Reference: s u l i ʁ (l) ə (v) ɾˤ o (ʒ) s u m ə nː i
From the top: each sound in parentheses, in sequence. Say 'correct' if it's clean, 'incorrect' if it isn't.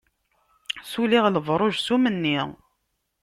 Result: correct, correct, correct

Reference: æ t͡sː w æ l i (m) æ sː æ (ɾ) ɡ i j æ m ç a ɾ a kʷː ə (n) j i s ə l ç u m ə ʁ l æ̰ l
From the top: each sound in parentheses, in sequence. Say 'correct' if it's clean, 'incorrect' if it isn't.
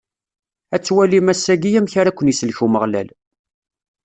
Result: correct, incorrect: none, correct

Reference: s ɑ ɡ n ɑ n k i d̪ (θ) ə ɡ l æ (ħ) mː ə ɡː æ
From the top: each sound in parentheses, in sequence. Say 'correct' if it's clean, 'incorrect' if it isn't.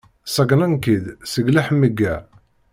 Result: incorrect: s, correct

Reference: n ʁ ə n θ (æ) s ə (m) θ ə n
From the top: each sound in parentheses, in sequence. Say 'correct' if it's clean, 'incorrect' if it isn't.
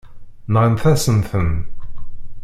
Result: correct, incorrect: n

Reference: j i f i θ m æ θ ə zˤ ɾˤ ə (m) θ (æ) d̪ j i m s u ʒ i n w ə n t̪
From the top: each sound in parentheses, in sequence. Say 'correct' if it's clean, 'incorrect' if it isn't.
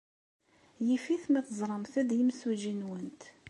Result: correct, correct

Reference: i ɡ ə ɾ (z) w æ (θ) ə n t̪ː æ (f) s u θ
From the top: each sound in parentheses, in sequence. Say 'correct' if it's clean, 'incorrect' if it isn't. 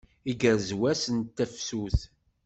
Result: correct, incorrect: s, correct

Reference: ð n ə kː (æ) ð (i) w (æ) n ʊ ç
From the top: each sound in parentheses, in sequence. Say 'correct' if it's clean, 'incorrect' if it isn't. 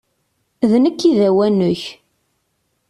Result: incorrect: i, incorrect: æ, correct

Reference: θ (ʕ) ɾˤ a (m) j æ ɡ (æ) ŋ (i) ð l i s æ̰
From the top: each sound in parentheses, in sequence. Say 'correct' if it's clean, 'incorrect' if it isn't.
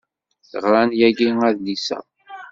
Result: incorrect: ʁ, incorrect: n, incorrect: i, incorrect: æ

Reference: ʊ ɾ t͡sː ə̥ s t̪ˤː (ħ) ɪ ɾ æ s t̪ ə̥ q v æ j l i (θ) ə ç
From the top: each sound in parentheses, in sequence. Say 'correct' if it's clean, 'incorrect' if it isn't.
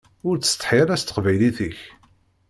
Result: correct, correct

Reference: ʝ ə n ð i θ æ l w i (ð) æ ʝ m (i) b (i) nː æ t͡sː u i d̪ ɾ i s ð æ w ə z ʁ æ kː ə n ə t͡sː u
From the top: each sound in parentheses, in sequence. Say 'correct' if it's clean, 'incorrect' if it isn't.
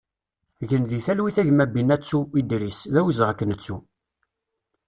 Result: incorrect: θ, incorrect: æ, correct

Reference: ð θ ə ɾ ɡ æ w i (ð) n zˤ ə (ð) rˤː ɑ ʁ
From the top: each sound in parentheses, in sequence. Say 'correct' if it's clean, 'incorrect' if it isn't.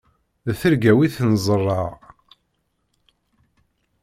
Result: incorrect: θ, incorrect: none

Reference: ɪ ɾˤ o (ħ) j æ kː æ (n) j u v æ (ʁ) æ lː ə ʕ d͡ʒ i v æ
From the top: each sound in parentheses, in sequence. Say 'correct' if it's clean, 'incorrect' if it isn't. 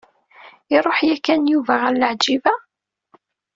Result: correct, correct, correct

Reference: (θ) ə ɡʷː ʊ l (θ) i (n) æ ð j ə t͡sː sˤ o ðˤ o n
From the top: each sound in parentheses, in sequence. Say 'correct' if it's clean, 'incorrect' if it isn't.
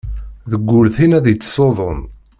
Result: incorrect: ð, correct, correct

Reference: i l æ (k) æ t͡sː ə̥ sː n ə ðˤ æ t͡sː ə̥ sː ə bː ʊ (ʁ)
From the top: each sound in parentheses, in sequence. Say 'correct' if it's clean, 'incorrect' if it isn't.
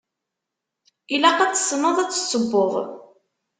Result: incorrect: q, correct

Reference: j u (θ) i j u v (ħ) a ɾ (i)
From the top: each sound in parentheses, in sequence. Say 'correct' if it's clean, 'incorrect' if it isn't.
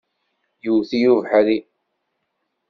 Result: correct, correct, correct

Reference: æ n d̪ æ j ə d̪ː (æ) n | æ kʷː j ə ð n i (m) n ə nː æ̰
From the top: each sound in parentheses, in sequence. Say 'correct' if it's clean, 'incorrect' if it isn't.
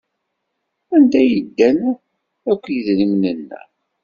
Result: correct, correct

